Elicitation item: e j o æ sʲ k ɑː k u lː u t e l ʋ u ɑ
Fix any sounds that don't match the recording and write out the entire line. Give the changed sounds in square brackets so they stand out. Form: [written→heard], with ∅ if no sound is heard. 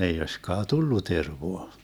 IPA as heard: e [j→i] o [æ→i] sʲ k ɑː [k→t] u lː u t e [l→r] ʋ [u→o] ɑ